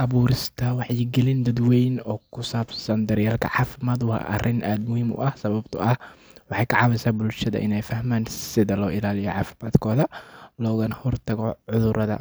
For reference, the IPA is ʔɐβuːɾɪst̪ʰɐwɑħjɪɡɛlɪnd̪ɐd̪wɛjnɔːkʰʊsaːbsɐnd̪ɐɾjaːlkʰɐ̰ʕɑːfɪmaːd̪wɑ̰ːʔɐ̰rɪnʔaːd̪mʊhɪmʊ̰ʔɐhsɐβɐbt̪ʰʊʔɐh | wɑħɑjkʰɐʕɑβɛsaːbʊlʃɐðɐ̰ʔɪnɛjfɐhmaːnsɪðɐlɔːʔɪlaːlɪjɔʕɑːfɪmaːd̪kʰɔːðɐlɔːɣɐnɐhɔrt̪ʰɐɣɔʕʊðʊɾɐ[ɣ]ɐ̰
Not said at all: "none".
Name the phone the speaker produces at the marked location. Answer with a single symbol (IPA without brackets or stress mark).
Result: ð